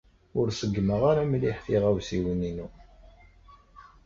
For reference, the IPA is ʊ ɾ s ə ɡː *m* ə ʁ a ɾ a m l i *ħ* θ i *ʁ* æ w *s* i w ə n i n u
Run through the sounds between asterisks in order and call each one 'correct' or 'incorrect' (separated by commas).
correct, correct, correct, correct